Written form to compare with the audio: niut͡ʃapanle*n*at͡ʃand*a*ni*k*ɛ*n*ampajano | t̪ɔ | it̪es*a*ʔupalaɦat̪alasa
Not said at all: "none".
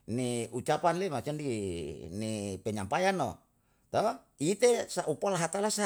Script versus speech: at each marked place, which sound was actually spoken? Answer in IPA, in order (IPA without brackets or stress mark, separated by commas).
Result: m, i, p, ɲ, a